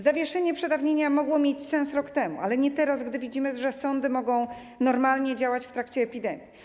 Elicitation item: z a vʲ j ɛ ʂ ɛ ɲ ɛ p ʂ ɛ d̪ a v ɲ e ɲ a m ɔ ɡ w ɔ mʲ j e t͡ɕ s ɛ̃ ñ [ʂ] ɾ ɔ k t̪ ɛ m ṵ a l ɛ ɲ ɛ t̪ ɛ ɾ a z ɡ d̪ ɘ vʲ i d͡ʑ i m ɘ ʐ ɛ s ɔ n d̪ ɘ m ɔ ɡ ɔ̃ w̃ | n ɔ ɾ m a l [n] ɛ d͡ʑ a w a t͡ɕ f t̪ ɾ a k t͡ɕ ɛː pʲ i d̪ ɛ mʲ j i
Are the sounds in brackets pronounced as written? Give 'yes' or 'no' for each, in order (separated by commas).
no, no